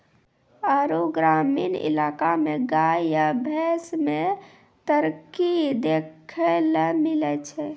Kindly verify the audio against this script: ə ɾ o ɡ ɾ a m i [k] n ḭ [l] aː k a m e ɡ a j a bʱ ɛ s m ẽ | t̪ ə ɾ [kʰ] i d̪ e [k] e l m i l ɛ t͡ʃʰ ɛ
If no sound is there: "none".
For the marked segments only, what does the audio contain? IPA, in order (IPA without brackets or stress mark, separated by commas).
none, l, k, kʰ